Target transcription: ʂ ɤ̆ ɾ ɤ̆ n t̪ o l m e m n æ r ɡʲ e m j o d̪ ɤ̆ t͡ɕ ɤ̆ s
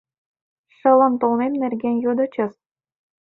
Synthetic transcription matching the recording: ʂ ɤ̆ l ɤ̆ n t̪ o l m e m n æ r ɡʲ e n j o d̪ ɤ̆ t͡ɕ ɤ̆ s

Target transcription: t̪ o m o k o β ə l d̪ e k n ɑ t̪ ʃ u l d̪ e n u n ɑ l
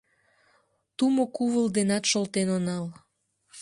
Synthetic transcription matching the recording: t̪ u m o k u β ə l d̪ e n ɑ t̪ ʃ o l t̪ e n o n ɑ l

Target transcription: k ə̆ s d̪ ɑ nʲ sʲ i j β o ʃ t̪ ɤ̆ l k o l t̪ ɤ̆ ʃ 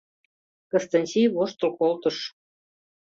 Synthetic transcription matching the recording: k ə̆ s t̪ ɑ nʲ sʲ i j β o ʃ t̪ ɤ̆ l k o l t̪ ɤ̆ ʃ

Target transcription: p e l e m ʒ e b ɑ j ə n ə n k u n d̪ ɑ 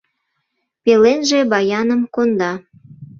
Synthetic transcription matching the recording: p e l e n ʒ e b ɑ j ɑ n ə m k o n d̪ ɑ

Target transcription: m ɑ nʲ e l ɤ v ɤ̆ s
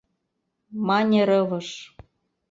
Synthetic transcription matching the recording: m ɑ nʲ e ɾ ɤ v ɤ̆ ʃ

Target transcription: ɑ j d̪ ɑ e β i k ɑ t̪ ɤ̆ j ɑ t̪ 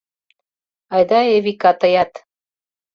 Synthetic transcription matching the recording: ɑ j d̪ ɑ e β i k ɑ t̪ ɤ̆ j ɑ t̪

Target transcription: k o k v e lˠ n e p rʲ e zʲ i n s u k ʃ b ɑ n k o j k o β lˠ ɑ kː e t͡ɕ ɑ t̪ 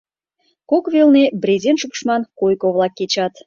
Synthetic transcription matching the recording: k o k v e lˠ n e b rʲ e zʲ e n ʃ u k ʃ m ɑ n k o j k o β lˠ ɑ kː e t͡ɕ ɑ t̪

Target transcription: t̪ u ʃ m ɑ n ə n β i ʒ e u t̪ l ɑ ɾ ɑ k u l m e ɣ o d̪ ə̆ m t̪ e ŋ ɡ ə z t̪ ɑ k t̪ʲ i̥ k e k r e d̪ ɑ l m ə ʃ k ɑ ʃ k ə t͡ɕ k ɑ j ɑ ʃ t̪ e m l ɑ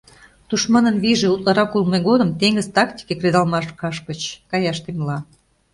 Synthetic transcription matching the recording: t̪ u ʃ m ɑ n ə n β i ʒ e u t̪ l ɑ ɾ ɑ k u l m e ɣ o d̪ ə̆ m t̪ e ŋ ɡ ə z t̪ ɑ k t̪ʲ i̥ k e k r e d̪ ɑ l m ɑ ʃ k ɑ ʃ k ə t͡ɕ k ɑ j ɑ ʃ t̪ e m l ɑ

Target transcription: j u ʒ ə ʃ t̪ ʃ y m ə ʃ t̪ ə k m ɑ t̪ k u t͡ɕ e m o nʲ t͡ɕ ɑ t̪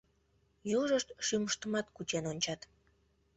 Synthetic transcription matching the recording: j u ʒ ə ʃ t̪ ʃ y m ə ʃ t̪ ə m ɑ t̪ k u t͡ɕ e n o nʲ t͡ɕ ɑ t̪

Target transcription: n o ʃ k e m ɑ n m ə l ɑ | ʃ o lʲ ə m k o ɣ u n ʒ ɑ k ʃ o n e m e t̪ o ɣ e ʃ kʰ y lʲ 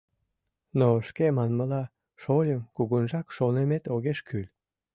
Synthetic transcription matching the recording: n o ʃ k e m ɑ n m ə l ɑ | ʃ o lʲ ə m k u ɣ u n ʒ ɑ k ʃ o n e m e t̪ o ɣ e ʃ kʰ y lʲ

